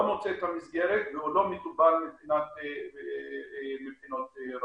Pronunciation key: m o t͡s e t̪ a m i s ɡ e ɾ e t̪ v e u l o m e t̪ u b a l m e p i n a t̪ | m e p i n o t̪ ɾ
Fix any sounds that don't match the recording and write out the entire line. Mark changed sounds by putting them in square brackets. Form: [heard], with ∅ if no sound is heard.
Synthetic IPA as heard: m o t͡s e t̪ a m i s ɡ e ɾ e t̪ v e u l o m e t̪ u b a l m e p i n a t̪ | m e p i n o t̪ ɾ